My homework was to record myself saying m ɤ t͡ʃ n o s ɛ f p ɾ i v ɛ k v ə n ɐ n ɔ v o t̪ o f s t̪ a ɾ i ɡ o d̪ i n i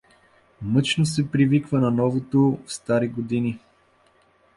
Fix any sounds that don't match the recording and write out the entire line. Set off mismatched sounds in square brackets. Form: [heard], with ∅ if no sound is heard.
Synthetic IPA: m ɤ t͡ʃ n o s ɛ [∅] p ɾ i v [i] k v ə n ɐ n ɔ v o t̪ o f s t̪ a ɾ i ɡ o d̪ i n i